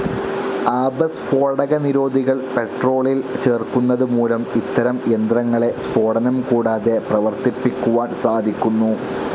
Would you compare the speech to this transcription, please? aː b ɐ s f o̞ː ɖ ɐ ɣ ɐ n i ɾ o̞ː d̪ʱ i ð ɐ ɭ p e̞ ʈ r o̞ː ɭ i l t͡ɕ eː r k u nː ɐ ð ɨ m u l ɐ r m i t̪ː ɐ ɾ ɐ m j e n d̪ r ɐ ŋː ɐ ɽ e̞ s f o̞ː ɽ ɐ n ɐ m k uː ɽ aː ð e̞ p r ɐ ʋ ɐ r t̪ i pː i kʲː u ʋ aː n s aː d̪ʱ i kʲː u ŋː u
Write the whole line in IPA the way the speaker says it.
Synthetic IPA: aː b ɐ s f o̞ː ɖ ɐ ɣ ɐ n i ɾ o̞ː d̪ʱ i ɣ ɐ ɭ p e̞ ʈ r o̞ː ɭ i l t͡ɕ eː r k u nː ɐ ð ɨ m uː l ɐ m i t̪ː ɐ ɾ ɐ m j e n d̪ r ɐ ŋː ɐ ɭ e̞ s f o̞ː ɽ ɐ n ɐ m k uː ɽ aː ð e̞ p r ɐ ʋ ɐ r t̪ i pː i kʲː u ʋ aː n s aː d̪ʱ i kʲː u nː u